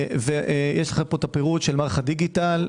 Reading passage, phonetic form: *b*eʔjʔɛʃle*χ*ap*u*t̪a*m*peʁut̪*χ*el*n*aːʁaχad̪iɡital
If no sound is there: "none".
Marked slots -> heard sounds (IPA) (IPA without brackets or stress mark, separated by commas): v, χ, o, none, ʃ, m